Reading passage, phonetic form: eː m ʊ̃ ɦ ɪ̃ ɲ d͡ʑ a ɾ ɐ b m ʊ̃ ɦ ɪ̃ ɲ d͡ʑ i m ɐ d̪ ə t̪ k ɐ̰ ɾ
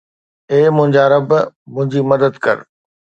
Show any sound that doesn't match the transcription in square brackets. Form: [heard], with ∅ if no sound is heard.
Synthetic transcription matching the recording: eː m ʊ̃ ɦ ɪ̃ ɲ d͡ʑ a ɾ ɐ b m ʊ̃ ɦ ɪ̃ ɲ d͡ʑ i m ɐ d̪ ə [d̪] k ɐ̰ ɾ